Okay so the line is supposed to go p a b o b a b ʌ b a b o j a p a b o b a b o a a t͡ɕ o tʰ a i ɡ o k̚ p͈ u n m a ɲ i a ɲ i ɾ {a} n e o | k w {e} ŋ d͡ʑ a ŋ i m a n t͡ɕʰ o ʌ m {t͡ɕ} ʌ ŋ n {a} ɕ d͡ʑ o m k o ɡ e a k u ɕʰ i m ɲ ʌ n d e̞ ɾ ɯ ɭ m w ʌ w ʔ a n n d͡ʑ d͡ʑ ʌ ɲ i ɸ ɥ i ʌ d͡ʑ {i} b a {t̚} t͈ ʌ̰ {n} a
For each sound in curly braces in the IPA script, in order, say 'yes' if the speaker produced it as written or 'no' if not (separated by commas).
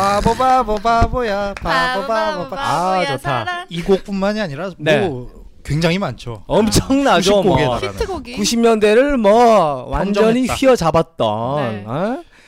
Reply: yes, yes, no, yes, no, yes, yes